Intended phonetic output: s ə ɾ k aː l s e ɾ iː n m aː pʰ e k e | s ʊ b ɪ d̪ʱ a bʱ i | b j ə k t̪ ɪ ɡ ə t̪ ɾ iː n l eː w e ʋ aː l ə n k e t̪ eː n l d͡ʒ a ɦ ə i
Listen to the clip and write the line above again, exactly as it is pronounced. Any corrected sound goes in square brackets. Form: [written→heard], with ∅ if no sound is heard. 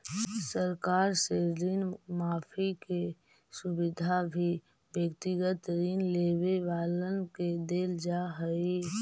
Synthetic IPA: s ə ɾ k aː [l→ɾ] s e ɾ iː n m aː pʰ [e→i] k e | s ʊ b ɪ d̪ʱ a bʱ i | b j ə k t̪ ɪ ɡ ə t̪ ɾ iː n l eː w e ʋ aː l ə n k e [t̪→d̪] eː [n→∅] l d͡ʒ a ɦ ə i